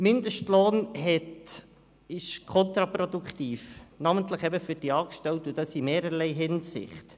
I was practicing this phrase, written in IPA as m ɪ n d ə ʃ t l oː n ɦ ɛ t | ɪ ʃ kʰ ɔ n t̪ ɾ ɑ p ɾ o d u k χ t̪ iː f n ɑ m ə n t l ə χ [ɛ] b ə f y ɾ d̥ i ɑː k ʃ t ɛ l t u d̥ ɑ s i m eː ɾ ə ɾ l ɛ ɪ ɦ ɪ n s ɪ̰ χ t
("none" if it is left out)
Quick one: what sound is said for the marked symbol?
ɛ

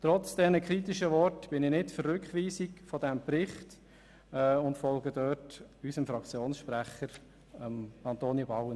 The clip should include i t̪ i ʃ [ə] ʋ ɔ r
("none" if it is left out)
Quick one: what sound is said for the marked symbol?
ə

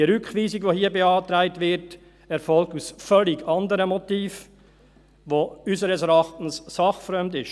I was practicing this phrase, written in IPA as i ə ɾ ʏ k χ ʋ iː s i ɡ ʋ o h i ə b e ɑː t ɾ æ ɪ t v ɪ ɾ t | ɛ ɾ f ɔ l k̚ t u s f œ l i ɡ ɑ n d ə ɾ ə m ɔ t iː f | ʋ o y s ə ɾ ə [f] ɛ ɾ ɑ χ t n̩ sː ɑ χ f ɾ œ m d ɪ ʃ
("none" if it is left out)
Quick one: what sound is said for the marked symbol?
s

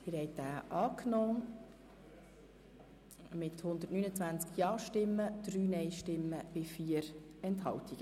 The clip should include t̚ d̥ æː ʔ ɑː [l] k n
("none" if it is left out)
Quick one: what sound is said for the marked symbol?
none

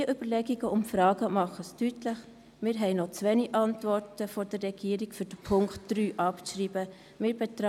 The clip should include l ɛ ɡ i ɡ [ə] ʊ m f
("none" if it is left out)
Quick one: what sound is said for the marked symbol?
ə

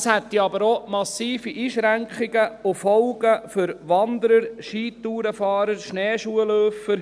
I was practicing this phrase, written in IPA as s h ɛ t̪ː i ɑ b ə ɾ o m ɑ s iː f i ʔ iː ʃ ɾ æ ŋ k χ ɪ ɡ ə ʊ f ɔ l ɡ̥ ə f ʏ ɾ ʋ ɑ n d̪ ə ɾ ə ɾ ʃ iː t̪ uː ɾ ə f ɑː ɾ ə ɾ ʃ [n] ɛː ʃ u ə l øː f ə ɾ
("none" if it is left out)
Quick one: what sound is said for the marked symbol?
n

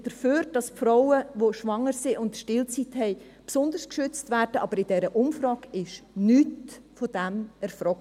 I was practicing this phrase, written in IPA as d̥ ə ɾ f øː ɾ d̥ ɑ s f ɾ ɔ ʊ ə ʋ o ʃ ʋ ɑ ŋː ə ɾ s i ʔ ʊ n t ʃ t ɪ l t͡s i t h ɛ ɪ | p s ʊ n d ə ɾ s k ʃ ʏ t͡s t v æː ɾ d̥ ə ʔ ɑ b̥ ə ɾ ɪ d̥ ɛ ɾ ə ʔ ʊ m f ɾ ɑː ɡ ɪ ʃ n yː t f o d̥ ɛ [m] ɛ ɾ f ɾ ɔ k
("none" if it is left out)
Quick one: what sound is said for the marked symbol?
m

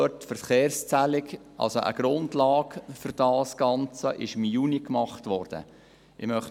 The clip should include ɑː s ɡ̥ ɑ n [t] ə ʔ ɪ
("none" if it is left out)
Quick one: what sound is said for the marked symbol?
t͡s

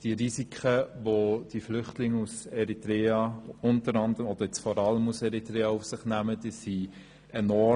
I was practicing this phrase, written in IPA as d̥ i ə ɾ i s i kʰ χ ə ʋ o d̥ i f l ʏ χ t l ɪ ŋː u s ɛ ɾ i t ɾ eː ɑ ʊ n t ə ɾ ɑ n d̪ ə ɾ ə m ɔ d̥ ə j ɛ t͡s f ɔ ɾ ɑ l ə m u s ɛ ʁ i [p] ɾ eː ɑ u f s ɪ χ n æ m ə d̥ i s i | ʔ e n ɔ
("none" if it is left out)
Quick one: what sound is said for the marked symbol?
t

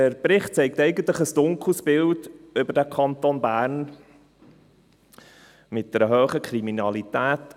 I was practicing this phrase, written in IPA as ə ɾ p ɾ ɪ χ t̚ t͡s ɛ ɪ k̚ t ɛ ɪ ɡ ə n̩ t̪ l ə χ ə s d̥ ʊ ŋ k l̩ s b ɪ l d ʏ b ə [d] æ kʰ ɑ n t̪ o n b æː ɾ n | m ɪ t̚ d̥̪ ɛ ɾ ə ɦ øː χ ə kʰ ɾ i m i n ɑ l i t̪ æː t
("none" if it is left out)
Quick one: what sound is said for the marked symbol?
d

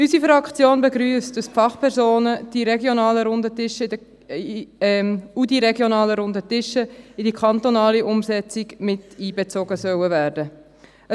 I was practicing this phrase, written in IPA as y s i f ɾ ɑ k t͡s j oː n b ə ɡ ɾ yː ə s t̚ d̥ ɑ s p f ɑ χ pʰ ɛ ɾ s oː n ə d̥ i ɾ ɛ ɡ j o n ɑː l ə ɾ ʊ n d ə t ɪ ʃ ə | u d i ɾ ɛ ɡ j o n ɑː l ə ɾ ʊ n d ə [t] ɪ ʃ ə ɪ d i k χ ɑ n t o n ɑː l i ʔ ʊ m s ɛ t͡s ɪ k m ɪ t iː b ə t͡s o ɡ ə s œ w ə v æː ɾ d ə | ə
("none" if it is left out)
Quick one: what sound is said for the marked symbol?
t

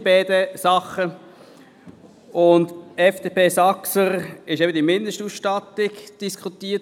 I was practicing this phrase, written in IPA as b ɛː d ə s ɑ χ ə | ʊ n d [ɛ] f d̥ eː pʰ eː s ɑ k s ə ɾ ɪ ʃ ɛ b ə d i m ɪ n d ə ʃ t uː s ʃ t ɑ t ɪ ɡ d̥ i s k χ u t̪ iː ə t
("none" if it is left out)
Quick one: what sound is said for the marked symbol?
ɛ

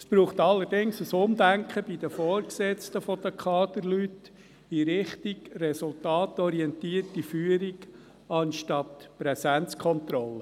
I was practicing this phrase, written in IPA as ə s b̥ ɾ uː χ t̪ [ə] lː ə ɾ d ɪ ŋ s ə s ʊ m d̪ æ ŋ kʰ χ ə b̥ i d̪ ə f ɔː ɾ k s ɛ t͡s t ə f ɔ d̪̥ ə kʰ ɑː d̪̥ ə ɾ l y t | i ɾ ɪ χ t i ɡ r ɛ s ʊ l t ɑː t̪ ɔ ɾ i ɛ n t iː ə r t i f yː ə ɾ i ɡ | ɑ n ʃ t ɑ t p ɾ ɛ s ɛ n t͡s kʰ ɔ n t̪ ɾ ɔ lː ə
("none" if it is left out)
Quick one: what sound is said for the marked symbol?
ɑ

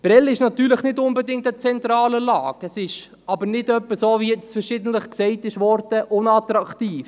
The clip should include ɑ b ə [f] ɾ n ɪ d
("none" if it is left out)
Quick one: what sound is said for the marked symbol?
none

